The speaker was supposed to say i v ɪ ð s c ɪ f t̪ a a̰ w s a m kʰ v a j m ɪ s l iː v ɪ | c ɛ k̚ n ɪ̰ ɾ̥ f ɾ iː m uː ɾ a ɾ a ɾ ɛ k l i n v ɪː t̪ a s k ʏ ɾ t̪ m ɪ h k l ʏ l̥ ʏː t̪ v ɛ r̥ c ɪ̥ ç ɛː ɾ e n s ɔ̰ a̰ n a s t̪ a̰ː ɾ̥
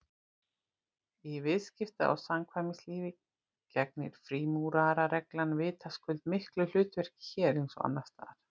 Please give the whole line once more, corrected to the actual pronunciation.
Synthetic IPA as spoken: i v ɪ ð s c ɪ f t̪ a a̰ w s a m kʰ v a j m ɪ s l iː v ɪ | c ɛ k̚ n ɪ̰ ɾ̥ f ɾ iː m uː ɾ a ɾ a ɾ ɛ k l a n v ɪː t̪ a s k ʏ l t̪ m ɪ h k l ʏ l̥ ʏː t̪ v ɛ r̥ c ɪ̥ ç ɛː ɾ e n s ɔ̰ a̰ nː a s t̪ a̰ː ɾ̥